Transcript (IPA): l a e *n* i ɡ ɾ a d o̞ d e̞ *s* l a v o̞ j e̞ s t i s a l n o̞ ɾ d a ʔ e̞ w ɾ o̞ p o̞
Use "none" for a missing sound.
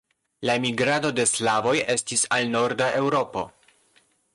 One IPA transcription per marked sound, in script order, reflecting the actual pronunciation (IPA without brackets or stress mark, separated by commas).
m, s